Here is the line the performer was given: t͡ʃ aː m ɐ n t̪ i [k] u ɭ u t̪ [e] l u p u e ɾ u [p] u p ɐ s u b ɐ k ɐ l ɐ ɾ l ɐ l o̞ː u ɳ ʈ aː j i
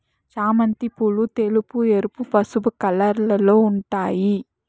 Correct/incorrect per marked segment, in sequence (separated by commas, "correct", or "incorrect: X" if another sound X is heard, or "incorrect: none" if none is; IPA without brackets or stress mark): incorrect: p, correct, correct